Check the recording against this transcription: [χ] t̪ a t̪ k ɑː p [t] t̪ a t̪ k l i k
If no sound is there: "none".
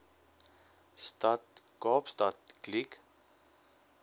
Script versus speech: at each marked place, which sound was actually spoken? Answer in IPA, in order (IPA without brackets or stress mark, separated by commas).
s, s